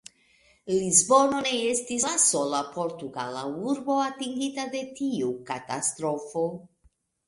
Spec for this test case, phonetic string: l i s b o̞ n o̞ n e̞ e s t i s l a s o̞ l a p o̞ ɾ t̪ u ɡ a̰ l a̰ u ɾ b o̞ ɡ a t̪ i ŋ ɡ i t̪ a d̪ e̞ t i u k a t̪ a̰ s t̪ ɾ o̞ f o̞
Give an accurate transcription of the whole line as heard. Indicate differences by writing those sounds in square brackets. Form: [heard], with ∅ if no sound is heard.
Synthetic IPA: l i [z] b o̞ n o̞ n e̞ e s t i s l a s o̞ l a p o̞ ɾ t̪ u ɡ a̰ l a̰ u ɾ b o̞ [∅] a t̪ i ŋ ɡ i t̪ a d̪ e̞ t i u k a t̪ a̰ s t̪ ɾ o̞ f o̞